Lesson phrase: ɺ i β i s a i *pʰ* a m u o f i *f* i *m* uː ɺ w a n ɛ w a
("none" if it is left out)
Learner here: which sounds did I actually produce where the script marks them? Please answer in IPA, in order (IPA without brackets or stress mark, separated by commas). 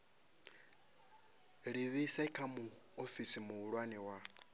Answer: kʰ, s, m